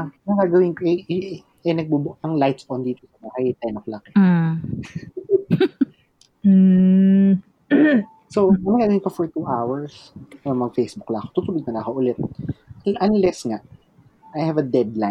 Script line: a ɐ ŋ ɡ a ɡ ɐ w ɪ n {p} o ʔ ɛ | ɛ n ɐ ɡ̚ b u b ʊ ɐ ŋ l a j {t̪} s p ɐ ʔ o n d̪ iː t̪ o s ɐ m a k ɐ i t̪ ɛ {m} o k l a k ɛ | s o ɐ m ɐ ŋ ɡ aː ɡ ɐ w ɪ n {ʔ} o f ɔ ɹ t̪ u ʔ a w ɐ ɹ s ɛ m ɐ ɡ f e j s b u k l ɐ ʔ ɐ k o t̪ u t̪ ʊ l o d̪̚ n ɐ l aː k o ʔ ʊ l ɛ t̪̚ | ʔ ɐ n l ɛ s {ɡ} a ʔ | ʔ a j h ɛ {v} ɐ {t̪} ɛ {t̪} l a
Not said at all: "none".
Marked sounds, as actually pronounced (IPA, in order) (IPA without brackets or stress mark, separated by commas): k, t̪, n, k, ŋ, v, d̪, d̪